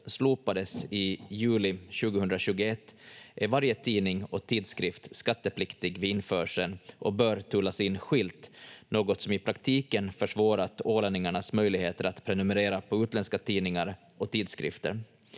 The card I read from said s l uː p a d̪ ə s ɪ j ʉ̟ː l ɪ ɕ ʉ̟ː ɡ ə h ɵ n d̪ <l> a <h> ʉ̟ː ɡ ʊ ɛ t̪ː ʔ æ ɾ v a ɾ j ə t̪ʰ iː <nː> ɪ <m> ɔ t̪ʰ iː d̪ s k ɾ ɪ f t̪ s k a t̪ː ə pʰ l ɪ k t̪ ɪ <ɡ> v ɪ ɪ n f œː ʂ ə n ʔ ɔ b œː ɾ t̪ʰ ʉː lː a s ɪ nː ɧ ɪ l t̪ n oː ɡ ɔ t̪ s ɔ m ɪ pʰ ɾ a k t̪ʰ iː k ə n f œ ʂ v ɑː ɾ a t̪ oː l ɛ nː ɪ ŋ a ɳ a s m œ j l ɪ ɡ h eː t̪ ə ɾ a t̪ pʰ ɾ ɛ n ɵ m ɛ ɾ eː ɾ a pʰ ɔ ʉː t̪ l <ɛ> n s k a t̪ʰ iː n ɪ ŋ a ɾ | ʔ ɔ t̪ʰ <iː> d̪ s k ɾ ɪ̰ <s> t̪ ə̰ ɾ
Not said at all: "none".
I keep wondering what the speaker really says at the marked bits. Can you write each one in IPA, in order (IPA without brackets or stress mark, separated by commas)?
ɾ, ɕ, n, ŋ, ɡ, ɛ, iː, f